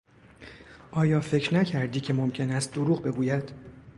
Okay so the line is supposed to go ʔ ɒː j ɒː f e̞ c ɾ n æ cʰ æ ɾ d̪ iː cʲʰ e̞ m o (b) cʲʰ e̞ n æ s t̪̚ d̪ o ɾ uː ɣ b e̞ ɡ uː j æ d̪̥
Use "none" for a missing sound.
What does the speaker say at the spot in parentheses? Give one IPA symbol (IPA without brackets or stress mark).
m